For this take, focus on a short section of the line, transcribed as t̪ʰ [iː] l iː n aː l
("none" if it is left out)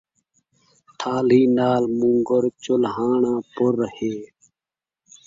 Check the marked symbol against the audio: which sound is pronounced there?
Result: aː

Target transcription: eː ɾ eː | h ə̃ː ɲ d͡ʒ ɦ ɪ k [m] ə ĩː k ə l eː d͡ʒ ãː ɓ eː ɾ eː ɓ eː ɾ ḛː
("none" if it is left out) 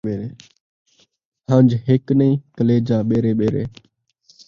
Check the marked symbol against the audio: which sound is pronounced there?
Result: n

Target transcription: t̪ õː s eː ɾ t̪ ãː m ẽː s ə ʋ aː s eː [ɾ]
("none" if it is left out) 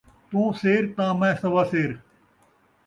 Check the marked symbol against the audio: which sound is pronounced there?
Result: ɾ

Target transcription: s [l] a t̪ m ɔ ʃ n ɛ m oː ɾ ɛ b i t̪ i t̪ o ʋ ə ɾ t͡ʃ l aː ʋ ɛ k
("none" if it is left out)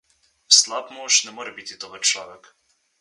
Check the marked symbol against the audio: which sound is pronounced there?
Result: l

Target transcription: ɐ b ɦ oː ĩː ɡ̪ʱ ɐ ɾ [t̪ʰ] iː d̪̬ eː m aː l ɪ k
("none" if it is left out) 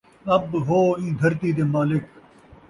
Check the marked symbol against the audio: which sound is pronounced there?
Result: t̪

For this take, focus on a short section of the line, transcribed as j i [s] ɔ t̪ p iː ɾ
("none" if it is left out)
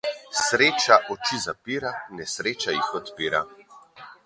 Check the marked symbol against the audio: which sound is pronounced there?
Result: x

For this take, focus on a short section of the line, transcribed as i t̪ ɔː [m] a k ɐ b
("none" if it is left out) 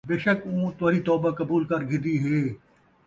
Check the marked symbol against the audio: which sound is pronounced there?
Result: b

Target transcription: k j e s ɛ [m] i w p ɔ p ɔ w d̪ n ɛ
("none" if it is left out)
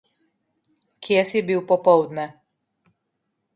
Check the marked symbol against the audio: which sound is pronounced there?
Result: b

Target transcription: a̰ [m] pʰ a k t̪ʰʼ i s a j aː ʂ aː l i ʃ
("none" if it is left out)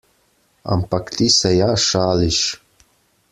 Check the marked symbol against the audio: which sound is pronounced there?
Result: m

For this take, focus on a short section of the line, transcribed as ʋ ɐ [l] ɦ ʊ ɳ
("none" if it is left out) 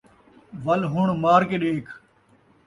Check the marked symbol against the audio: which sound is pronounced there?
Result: l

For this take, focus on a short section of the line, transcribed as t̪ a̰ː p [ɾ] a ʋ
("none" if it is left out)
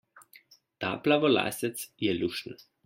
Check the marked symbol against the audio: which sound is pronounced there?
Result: l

